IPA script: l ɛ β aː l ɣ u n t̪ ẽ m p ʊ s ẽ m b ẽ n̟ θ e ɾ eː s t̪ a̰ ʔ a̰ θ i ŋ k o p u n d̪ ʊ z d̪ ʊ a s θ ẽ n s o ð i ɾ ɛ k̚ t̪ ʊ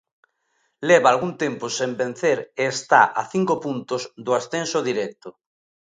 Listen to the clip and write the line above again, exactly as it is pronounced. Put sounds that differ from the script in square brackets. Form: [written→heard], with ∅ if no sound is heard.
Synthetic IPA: l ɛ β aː l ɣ u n t̪ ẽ m p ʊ s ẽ m b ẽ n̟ θ e ɾ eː s t̪ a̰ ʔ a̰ θ i ŋ k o p u n [d̪→t̪] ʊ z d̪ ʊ a s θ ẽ n s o ð i ɾ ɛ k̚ t̪ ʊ